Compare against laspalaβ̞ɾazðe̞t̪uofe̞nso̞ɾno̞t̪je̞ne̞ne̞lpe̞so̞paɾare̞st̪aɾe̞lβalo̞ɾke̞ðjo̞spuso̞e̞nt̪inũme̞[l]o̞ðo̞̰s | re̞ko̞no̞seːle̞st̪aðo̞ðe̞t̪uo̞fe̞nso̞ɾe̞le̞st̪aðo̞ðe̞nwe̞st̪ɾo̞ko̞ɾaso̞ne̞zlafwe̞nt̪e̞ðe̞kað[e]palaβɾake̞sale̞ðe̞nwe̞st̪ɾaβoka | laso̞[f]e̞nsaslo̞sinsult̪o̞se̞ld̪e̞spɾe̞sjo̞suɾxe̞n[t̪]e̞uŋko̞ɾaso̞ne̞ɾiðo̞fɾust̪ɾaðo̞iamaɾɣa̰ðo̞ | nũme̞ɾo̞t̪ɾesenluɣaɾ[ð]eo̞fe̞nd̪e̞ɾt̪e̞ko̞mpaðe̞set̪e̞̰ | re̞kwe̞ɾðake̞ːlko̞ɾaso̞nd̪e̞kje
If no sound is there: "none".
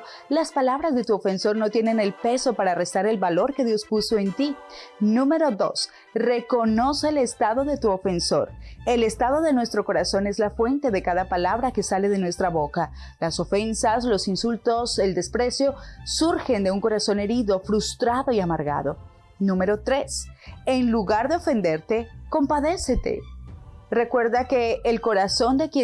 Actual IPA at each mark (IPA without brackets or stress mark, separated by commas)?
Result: ɾ, a, f, d̪, ð